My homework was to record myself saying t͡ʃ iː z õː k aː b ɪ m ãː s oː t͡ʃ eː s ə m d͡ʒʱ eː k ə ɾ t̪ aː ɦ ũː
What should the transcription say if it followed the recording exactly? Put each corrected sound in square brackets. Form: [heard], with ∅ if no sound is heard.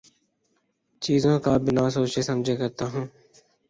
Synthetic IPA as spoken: t͡ʃ iː z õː k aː b ɪ [n] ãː s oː t͡ʃ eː s ə m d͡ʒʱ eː k ə ɾ t̪ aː ɦ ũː